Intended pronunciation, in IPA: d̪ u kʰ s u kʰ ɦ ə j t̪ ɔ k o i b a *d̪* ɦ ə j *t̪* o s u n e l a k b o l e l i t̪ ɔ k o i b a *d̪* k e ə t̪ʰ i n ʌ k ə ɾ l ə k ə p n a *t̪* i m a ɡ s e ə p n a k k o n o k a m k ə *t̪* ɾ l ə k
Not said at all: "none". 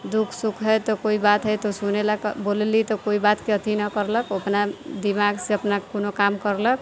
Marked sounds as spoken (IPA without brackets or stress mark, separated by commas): t̪, t̪, t̪, d̪, none